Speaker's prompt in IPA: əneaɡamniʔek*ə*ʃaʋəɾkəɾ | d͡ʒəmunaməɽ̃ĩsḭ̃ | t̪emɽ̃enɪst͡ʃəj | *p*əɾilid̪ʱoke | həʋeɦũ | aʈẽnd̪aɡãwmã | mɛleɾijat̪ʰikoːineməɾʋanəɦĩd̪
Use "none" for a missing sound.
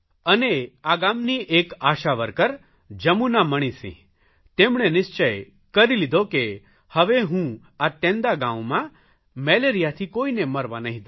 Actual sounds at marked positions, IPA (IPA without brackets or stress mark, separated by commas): a, k